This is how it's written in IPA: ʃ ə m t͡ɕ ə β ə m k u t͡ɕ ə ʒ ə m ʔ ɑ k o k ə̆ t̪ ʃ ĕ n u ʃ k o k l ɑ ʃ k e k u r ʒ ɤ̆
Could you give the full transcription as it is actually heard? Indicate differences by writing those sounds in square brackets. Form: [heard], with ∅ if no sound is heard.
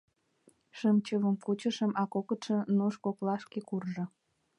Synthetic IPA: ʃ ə m t͡ɕ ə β ə m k u t͡ɕ ə [ʃ] ə m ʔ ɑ k o k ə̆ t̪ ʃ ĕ n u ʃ k o k l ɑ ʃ k e k u r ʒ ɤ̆